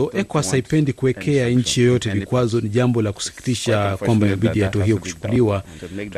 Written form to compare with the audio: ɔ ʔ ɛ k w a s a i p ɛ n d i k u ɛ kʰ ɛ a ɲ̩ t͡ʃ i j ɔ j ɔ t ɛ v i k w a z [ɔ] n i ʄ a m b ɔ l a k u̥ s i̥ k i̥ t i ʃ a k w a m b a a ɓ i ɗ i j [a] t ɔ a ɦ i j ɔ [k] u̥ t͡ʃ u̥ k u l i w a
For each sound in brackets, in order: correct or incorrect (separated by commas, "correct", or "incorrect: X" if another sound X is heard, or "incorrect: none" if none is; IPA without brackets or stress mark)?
correct, correct, correct